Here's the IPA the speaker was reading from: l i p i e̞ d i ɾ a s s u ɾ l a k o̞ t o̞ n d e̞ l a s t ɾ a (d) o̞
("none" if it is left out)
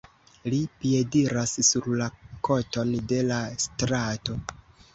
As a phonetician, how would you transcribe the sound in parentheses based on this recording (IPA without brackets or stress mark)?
t